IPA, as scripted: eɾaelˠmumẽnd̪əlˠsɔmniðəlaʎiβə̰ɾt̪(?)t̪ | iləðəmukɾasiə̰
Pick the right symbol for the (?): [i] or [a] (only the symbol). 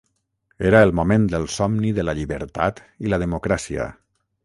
a